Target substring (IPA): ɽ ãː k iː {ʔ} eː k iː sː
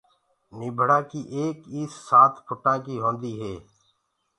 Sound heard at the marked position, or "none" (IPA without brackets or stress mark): ʔ